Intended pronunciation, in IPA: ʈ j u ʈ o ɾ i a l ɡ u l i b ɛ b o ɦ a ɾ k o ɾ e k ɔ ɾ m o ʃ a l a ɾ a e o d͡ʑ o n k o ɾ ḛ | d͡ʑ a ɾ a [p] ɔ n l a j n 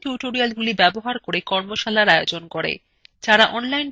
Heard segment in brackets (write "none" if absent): ʔ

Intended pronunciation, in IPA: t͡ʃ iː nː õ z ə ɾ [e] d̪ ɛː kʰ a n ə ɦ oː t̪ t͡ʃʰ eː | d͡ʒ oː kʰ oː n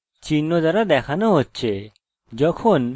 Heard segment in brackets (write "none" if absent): a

